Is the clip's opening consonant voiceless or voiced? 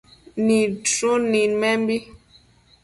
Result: voiced